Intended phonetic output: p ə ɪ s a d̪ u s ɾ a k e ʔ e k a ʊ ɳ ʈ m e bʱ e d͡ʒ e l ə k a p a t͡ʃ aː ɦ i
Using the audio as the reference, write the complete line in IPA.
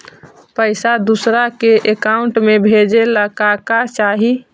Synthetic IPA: p ə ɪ s a d̪ u s ɾ a k e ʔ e k a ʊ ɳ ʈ m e bʱ e d͡ʒ e l ə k a k a t͡ʃ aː ɦ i